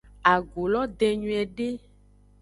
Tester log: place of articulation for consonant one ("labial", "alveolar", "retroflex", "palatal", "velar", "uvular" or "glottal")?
velar